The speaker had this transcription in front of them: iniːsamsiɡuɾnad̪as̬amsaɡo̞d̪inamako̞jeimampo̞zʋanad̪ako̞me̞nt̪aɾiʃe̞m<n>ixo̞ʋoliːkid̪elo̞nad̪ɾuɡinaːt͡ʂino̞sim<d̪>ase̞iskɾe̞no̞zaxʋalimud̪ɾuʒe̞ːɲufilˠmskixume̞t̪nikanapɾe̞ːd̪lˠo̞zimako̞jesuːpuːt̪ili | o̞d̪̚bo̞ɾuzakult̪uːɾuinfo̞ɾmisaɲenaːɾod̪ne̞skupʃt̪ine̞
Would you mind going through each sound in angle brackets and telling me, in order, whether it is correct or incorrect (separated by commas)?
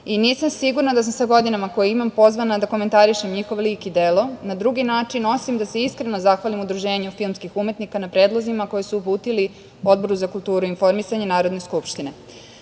incorrect, correct